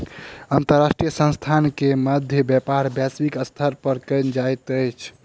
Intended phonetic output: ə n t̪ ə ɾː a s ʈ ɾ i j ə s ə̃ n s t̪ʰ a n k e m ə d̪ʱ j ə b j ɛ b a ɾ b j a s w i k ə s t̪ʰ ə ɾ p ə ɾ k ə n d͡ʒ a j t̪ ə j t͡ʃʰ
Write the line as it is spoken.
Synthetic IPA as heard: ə n t̪ ə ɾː a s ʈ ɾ i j ə s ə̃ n s t̪ʰ a n k e m ə d̪ʱ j ə b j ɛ p a ɾ b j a s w i k ə s t̪ʰ ə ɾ p ə ɾ k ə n d͡ʒ a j t̪ ə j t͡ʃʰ